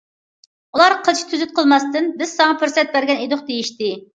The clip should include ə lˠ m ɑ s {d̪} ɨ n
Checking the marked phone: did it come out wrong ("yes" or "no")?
yes